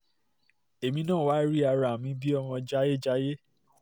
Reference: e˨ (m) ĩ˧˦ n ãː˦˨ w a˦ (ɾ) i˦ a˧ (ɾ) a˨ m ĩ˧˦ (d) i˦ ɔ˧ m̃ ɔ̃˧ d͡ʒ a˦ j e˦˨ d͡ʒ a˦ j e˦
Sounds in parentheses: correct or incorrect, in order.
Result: correct, correct, correct, incorrect: b

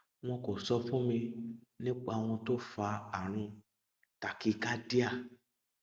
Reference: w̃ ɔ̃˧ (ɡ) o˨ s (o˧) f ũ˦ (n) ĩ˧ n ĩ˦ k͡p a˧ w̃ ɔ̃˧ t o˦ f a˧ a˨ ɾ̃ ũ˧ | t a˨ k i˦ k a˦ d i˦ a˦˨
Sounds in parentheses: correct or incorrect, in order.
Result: incorrect: k, incorrect: ɔ˧, incorrect: m

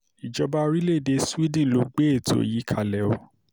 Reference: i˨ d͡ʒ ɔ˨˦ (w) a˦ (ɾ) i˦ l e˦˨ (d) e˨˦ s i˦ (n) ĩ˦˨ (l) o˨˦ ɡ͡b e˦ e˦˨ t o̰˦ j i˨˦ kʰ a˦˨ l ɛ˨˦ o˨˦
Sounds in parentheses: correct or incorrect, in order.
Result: incorrect: b, correct, correct, incorrect: d, correct

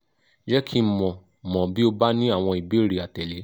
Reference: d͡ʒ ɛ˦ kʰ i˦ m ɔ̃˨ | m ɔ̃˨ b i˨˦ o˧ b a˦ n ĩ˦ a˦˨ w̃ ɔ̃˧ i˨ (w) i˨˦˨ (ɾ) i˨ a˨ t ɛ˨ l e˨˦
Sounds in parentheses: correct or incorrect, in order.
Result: incorrect: b, correct

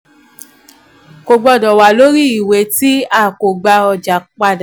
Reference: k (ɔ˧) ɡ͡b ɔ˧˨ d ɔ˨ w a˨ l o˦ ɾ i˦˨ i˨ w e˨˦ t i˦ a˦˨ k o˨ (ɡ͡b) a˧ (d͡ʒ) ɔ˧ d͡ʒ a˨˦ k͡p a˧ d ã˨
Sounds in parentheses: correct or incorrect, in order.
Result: incorrect: o˧, correct, incorrect: none

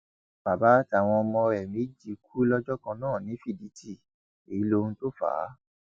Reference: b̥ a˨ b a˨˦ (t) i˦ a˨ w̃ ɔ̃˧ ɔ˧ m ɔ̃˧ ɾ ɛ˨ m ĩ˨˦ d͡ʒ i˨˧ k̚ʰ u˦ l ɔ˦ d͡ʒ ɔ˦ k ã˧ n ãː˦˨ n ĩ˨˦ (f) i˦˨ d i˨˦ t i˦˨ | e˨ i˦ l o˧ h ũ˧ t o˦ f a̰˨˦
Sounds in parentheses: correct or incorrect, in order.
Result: correct, correct

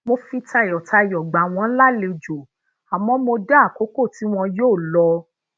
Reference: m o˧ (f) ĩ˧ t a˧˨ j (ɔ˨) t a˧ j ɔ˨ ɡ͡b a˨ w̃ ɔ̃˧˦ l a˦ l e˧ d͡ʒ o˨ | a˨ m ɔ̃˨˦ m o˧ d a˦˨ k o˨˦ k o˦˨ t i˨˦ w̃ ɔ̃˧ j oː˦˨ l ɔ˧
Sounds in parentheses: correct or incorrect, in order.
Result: correct, correct

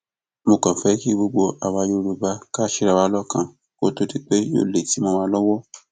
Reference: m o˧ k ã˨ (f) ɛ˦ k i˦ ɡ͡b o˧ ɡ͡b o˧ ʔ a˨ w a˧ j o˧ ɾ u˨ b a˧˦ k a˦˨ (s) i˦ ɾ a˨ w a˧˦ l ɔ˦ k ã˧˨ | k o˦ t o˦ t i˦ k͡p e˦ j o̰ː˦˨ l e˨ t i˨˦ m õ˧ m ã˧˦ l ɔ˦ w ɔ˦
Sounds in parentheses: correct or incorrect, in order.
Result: correct, incorrect: ʃ

